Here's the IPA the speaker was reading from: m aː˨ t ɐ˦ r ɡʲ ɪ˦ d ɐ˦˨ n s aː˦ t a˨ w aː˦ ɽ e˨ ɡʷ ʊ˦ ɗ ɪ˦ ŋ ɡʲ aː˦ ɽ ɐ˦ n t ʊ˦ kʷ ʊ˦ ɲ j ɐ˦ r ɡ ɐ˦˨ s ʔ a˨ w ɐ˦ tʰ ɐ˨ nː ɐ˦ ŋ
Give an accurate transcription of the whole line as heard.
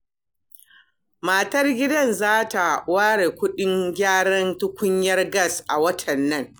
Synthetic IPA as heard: m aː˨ t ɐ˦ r ɡʲ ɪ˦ d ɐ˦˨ n z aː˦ t a˨ w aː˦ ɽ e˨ kʷ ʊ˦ ɗ ɪ˦ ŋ ɡʲ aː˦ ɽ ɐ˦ n t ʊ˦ kʷ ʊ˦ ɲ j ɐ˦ r ɡ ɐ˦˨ s ʔ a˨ w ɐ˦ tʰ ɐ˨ nː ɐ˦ ŋ